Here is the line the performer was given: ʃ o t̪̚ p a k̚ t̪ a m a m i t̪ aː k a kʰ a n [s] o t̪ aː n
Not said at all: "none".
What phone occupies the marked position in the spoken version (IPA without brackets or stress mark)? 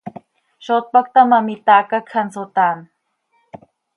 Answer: s